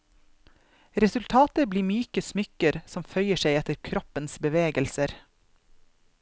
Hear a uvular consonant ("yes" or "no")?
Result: no